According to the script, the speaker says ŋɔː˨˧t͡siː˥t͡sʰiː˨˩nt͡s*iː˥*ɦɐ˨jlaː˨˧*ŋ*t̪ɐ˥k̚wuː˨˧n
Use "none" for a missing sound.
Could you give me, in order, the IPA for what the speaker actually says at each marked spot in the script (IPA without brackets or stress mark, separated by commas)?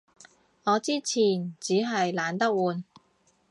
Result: iː˨˥, n